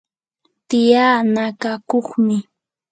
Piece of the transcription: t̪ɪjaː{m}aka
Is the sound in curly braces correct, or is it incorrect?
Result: incorrect